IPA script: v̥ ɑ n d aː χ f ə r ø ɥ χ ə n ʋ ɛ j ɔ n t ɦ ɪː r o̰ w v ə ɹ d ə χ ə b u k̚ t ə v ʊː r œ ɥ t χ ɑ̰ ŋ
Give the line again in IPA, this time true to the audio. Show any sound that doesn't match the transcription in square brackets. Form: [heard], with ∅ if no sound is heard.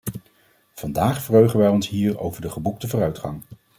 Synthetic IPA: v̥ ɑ n d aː χ f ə r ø ɥ χ ə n ʋ ɛ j ɔ n [s] ɦ [iː] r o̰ w v ə ɹ d ə χ ə b u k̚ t ə v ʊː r œ ɥ t χ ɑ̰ ŋ